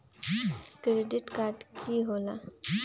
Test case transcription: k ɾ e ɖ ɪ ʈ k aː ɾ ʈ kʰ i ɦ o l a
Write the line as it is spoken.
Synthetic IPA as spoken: k ɾ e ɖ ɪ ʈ k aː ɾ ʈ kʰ i ɦ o l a